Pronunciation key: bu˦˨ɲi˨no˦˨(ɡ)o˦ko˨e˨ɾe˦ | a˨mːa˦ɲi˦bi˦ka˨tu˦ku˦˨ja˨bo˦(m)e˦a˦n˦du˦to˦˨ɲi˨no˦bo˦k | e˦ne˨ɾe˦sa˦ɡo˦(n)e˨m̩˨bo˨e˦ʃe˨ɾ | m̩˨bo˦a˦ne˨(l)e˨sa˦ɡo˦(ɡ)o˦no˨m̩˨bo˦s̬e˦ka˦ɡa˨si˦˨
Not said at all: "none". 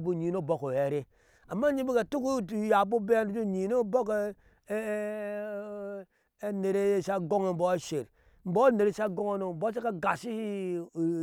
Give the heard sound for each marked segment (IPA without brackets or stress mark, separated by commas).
b, b, ŋ, ɾ, ŋ